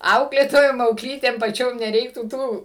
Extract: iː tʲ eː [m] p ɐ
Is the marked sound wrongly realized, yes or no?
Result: no